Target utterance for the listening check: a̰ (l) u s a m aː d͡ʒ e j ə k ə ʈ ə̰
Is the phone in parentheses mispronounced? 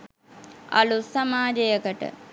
no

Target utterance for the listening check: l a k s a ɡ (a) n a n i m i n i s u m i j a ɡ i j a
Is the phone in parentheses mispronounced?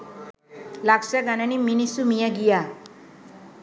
no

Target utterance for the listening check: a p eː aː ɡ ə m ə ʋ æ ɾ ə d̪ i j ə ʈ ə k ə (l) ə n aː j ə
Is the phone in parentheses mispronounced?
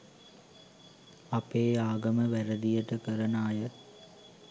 yes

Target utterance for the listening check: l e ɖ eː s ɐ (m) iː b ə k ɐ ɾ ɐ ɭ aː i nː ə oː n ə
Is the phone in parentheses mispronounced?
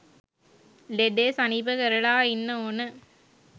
yes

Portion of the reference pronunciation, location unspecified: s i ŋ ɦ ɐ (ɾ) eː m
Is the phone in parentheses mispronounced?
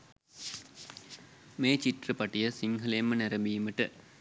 yes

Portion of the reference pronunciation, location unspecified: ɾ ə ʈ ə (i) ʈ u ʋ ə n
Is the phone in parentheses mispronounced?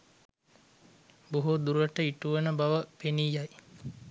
no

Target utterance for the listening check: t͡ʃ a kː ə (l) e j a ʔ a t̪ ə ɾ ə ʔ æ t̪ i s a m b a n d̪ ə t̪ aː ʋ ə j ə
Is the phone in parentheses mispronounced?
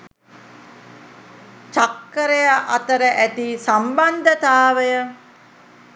yes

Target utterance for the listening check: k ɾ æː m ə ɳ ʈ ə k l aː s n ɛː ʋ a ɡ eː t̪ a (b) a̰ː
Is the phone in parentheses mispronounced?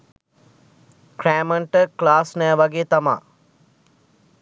yes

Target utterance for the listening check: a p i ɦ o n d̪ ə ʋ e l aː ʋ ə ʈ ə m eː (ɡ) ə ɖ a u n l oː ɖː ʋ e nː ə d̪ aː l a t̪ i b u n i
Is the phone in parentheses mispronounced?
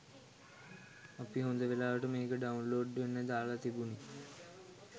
yes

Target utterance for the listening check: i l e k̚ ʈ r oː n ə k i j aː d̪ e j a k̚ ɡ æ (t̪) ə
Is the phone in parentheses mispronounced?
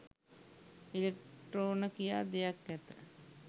no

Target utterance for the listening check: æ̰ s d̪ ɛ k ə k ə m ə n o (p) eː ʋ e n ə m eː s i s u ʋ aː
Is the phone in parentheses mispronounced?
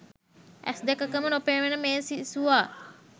no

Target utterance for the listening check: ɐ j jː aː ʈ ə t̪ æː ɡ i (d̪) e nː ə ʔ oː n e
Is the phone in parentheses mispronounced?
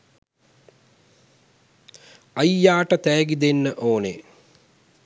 no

